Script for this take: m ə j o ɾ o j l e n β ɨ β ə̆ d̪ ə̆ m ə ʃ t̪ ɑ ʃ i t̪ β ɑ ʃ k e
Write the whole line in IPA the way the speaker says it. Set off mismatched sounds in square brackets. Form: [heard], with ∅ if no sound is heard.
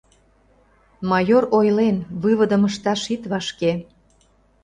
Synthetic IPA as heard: m [ɑ] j o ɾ o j l e n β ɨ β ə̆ d̪ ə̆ m ə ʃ t̪ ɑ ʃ i t̪ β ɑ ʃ k e